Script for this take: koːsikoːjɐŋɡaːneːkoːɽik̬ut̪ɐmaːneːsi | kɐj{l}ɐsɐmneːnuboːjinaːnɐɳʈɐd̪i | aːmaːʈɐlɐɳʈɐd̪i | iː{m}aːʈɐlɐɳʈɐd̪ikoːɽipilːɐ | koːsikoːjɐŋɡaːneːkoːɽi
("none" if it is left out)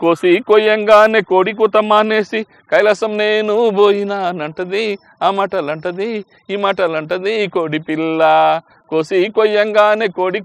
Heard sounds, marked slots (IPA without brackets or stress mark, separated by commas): l, m